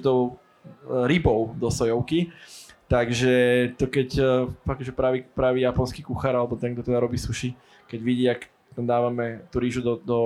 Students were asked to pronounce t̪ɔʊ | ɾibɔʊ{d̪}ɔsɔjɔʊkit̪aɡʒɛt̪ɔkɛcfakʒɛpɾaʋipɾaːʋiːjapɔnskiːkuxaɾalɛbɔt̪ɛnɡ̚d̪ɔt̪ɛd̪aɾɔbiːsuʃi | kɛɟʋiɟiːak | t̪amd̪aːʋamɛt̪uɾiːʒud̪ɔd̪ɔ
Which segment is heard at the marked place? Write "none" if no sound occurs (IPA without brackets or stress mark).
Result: d̪